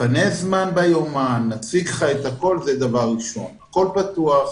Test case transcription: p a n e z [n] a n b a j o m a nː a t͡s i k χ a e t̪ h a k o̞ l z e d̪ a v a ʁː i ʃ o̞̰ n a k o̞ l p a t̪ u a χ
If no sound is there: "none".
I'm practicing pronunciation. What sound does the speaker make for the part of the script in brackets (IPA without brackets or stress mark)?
m